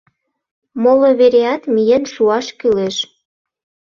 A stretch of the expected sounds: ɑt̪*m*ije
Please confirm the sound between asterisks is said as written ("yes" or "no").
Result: yes